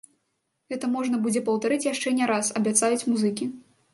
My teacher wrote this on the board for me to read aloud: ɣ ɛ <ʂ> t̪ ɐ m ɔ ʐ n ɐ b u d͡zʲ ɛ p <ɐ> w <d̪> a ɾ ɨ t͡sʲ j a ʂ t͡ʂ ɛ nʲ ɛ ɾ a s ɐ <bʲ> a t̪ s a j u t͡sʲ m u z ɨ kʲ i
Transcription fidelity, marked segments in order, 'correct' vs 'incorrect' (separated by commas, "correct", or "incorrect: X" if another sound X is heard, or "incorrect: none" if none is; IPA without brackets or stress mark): incorrect: none, correct, incorrect: t̪, correct